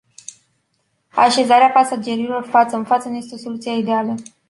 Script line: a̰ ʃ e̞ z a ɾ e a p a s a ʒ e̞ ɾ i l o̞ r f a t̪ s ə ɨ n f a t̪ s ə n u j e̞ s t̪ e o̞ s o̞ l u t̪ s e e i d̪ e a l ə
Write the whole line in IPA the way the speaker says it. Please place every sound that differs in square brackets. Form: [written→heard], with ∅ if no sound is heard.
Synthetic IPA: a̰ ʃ e̞ z a ɾ e a p a s a [ʒ→d͡ʒ] e̞ ɾ i l o̞ r f a t̪ s ə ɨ n f a t̪ s ə n u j e̞ s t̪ e o̞ s o̞ l u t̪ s [e→i] e i d̪ e a l ə